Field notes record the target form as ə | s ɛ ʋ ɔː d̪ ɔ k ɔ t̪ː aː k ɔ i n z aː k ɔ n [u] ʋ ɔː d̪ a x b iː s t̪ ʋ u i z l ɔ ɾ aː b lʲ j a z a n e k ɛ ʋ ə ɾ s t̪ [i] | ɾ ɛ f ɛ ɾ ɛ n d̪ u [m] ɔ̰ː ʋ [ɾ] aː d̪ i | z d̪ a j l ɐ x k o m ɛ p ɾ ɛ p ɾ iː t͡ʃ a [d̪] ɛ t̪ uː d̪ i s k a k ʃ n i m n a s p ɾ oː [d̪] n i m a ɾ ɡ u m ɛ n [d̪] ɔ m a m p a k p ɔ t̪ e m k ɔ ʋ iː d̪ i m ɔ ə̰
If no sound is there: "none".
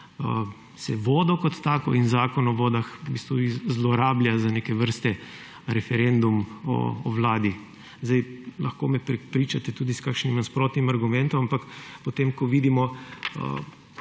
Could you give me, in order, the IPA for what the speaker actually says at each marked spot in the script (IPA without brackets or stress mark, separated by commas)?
ɔ, ɛ, m, l, t̪, t̪, t̪